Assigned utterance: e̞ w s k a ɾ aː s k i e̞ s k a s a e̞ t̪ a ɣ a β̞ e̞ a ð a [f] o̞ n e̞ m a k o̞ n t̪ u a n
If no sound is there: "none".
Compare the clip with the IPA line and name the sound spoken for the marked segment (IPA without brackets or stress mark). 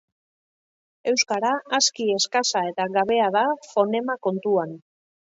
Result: f